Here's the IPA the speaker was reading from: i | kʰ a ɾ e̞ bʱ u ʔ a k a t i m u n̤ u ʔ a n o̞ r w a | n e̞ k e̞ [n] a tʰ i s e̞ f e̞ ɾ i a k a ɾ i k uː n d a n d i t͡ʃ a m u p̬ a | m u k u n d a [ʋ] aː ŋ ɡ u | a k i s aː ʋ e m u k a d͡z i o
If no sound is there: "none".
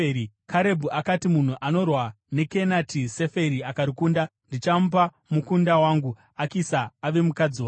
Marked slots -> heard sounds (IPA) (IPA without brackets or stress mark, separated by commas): n, w